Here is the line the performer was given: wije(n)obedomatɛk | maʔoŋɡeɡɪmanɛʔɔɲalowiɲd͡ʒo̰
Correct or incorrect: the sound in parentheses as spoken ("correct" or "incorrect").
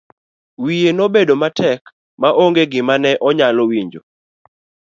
correct